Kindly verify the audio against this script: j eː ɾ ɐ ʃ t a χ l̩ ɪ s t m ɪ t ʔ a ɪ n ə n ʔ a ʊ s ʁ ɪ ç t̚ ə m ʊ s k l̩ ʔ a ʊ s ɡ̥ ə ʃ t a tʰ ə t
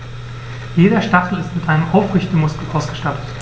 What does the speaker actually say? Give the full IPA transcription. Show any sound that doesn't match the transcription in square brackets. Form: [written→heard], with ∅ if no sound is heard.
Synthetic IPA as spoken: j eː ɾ ɐ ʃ t a χ l̩ ɪ s t m ɪ t ʔ a ɪ n ə [n→m] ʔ a ʊ [s→f] ʁ ɪ ç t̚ ə m ʊ s k l̩ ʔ a ʊ s ɡ̥ ə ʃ t a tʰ ə t

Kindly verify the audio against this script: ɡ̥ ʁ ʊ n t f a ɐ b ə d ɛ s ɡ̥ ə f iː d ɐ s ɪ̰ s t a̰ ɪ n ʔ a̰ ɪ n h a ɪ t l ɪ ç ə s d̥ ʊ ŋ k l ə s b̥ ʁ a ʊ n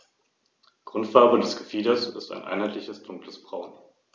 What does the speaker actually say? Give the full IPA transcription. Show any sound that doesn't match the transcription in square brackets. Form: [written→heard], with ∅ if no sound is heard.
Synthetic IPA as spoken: ɡ̥ ʁ ʊ n t f a ɐ b ə d ɛ s ɡ̥ ə f iː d ɐ s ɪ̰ s t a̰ ɪ n ʔ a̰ ɪ n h a ɪ t l ɪ ç ə s d̥ ʊ ŋ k l ə s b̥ ʁ a ʊ n

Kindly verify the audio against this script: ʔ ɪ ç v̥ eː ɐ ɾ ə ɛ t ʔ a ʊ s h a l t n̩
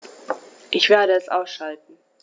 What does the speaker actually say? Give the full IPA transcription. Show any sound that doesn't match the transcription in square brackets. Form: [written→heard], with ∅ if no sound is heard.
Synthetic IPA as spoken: ʔ ɪ ç v̥ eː ɐ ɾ ə ɛ [t→s] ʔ a ʊ s [h→ʃ] a l t n̩

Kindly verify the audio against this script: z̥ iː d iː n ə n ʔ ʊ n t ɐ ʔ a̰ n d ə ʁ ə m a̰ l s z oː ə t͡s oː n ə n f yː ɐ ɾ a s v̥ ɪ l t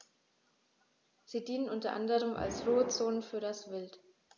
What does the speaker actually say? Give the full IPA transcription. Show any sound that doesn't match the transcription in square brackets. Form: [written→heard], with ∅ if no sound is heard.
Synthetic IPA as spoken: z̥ iː d iː n ə n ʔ ʊ n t ɐ ʔ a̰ n d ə ʁ ə m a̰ l s [z→ʁ] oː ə t͡s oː n ə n f yː ɐ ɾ a s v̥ ɪ l t

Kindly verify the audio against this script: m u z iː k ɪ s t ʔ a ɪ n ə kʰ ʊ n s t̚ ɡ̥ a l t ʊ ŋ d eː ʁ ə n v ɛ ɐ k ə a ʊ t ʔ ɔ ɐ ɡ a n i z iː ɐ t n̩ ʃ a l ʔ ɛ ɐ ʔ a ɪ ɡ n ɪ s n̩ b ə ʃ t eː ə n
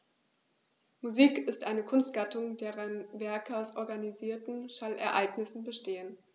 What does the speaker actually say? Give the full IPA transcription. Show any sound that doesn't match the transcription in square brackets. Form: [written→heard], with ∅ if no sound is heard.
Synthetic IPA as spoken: m u z iː k ɪ s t ʔ a ɪ n ə kʰ ʊ n s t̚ ɡ̥ a [l→∅] t ʊ ŋ d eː ʁ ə n v ɛ ɐ k ə a ʊ [t→s] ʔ ɔ ɐ ɡ a n i z iː ɐ t n̩ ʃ a l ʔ ɛ ɐ ʔ a ɪ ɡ n ɪ s n̩ b ə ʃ t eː ə n

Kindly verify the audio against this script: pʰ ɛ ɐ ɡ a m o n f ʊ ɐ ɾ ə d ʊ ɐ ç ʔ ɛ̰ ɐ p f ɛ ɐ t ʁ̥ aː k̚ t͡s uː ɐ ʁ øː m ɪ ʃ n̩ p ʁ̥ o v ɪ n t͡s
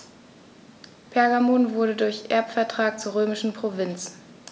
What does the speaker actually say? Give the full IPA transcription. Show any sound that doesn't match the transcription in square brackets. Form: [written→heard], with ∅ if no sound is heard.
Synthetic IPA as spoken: pʰ ɛ ɐ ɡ a m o n [f→v] ʊ ɐ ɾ ə d ʊ ɐ ç ʔ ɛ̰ ɐ p f ɛ ɐ t ʁ̥ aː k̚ t͡s uː ɐ ʁ øː m ɪ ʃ n̩ p ʁ̥ o v ɪ n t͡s

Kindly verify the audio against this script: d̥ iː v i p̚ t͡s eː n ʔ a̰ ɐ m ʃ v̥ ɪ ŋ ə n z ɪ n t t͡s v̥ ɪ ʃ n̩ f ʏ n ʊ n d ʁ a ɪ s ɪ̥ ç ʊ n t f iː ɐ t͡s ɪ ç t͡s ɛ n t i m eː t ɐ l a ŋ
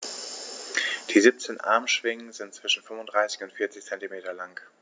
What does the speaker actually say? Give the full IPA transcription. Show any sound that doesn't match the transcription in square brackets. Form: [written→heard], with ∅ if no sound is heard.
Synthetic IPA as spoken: d̥ iː [v→z] i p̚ t͡s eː n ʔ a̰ ɐ m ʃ v̥ ɪ ŋ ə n z ɪ n t t͡s v̥ ɪ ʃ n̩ f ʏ [n→m] ʊ n d ʁ a ɪ s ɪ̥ ç ʊ n t f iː ɐ t͡s ɪ ç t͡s ɛ n t i m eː t ɐ l a ŋ

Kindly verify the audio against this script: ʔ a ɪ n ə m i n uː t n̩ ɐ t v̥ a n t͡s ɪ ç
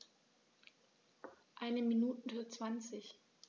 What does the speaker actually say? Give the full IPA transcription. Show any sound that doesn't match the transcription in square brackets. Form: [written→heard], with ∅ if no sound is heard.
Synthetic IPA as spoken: ʔ a ɪ n ə m i n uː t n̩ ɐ [t→t͡s] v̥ a n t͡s ɪ ç

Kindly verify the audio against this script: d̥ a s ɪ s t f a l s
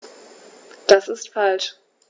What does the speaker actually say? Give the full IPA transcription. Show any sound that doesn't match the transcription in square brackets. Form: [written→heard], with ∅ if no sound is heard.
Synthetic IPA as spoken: d̥ a s ɪ s t f a l [s→ʃ]

